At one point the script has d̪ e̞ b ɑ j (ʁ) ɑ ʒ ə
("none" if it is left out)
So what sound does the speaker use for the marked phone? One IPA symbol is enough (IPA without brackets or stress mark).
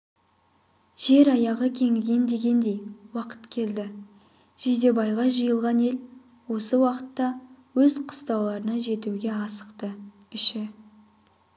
ʁ